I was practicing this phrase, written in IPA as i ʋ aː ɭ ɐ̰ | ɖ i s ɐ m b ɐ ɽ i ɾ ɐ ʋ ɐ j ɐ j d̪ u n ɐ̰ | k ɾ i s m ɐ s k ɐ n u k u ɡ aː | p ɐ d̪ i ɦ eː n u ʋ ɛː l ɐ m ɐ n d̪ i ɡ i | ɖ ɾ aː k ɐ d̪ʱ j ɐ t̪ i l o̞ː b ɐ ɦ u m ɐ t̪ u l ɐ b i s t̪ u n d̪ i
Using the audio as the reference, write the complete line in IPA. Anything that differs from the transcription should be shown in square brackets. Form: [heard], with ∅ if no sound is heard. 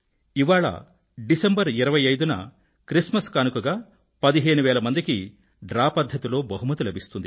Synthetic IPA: i ʋ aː ɭ ɐ̰ | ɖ i s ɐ m b ɐ [ɾ] i ɾ ɐ ʋ ɐ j ɐ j d̪ u n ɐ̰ | k ɾ i s m ɐ s k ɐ n u k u ɡ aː | p ɐ d̪ i ɦ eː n u ʋ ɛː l ɐ m ɐ n d̪ i [k] i | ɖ ɾ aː [p] ɐ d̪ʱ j ɐ t̪ i l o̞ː b ɐ ɦ u m ɐ t̪ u l ɐ b i s t̪ u n d̪ i